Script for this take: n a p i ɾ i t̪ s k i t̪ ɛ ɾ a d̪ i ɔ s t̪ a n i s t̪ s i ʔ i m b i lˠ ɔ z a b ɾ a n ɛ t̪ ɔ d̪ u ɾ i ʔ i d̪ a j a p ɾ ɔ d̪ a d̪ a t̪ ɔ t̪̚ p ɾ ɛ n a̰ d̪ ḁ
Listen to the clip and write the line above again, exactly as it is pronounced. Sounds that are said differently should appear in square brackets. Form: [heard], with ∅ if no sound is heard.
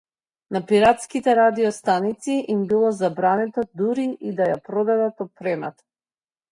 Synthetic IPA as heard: n a p i ɾ [a] t̪ s k i t̪ ɛ ɾ a d̪ i ɔ s t̪ a n i [∅] t̪ s i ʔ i m b i lˠ ɔ z a b ɾ a n ɛ t̪ ɔ d̪ u ɾ i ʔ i d̪ a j a p ɾ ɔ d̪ a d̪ a t̪ ɔ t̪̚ p ɾ ɛ [m] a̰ [t̪] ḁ